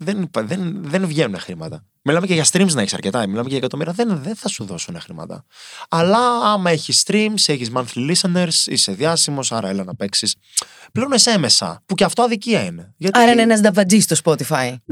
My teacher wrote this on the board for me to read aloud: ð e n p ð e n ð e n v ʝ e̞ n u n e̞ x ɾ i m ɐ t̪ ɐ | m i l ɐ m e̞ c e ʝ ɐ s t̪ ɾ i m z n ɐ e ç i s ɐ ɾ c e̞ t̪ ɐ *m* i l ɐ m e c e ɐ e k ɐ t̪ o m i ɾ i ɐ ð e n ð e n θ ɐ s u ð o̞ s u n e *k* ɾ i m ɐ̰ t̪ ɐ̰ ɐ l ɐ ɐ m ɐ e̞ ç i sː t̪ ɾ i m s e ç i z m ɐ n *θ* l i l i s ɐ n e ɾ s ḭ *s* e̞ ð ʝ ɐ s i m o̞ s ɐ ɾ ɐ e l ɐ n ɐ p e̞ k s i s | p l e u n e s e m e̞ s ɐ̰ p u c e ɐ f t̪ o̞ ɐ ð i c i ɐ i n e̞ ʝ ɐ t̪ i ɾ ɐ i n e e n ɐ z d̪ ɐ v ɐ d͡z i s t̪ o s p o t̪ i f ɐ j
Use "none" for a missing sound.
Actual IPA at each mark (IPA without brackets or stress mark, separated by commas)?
m, x, θ, s